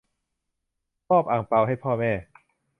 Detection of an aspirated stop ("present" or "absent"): present